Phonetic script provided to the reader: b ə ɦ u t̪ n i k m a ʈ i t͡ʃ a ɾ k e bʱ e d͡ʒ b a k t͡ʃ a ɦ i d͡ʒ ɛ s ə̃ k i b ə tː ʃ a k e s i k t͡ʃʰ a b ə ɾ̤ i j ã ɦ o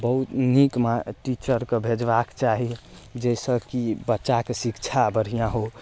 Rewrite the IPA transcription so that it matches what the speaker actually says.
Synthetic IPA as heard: b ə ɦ u t̪ n i k m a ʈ i t͡ʃ ə ɾ k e bʱ e d͡ʒ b a k t͡ʃ a ɦ i d͡ʒ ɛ s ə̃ k i b ə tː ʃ a k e s i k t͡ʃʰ a b ə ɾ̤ i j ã ɦ o